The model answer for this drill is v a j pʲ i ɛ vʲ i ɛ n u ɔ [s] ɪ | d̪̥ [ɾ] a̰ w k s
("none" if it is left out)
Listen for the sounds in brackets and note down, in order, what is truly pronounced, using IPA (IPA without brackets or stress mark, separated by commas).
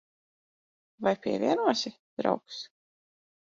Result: s, ɾ